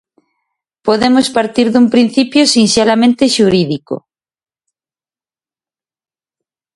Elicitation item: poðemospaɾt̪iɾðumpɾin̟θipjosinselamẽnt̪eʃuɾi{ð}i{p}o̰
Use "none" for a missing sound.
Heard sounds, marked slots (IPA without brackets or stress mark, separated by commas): ð, k